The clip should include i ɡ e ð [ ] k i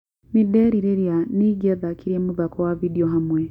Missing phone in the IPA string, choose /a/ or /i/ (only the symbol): a